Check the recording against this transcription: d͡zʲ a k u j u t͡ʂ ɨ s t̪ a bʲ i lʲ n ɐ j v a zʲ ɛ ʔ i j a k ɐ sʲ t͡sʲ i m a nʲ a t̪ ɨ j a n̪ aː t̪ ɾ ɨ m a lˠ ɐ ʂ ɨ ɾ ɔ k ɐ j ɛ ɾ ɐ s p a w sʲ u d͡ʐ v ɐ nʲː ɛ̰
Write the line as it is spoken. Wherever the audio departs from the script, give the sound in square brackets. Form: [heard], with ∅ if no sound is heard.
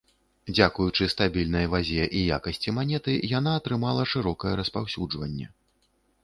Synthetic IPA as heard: d͡zʲ a k u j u t͡ʂ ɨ s t̪ a bʲ i lʲ n ɐ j v a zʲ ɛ ʔ i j a k ɐ sʲ t͡sʲ i m a nʲ [ɛ] t̪ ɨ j a n̪ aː t̪ ɾ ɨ m a lˠ ɐ ʂ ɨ ɾ ɔ k ɐ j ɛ ɾ ɐ s p a w sʲ u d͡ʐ v ɐ nʲː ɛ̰